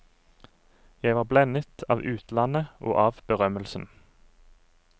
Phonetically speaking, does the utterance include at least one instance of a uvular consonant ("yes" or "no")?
yes